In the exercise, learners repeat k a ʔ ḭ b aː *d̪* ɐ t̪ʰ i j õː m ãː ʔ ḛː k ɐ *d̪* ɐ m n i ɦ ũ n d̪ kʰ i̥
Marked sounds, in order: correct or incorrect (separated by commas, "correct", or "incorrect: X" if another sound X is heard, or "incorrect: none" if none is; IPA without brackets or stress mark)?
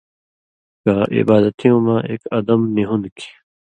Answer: correct, correct